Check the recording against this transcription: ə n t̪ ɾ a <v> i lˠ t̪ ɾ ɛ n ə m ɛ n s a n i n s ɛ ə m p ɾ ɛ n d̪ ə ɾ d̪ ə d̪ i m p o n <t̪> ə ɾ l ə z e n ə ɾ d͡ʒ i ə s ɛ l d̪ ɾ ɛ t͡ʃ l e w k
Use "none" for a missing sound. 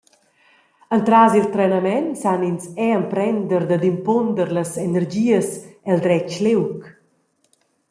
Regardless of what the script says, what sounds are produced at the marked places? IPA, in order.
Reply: z, d̪

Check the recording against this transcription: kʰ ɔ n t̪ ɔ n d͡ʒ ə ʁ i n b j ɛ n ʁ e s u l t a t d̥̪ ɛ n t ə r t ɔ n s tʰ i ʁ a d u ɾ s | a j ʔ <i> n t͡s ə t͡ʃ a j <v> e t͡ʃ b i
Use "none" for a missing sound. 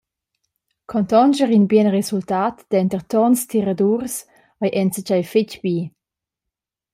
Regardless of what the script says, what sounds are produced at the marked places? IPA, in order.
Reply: ɛ, f

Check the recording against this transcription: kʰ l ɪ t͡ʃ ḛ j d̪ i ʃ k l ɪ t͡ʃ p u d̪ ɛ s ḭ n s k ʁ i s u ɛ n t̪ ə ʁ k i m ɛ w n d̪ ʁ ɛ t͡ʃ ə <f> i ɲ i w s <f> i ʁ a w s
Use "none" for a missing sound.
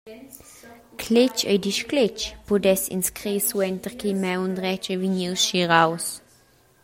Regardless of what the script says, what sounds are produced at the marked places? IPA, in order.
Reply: v, ʃ

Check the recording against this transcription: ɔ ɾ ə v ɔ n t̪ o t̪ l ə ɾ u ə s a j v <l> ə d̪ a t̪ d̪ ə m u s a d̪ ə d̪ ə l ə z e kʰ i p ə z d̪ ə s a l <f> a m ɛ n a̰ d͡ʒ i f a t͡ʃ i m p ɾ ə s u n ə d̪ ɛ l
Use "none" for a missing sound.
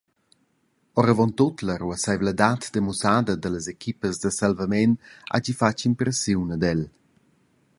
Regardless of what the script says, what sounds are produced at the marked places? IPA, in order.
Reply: l, v

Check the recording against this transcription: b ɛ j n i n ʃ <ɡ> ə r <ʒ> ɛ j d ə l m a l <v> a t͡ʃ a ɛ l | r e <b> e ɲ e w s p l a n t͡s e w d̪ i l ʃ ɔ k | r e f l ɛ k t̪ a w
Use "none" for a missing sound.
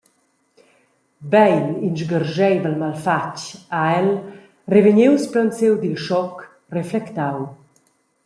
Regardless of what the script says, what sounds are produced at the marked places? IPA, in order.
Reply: ɡ, ʒ, f, v

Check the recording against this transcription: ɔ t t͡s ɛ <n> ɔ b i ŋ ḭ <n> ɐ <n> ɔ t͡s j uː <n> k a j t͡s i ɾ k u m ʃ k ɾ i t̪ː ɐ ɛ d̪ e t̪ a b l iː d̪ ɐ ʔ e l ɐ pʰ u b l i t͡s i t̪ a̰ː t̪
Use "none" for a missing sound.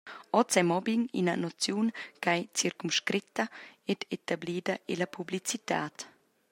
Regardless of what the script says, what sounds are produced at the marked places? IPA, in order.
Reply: m, n, n, n

